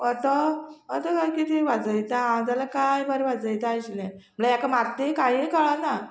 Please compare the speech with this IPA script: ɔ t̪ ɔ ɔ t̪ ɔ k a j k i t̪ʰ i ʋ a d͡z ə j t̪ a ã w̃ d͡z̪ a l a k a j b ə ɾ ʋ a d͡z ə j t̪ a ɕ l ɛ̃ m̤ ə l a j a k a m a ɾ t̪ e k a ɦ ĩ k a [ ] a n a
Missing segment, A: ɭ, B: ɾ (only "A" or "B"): A